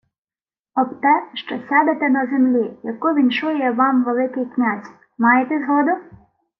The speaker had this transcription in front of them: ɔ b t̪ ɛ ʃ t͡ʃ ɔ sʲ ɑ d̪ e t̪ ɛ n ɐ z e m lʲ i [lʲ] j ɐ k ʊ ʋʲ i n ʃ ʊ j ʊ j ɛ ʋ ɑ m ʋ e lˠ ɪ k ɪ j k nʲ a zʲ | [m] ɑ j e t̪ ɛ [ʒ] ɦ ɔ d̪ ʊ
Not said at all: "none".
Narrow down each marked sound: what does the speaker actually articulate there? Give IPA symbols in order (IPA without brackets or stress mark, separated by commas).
none, m, z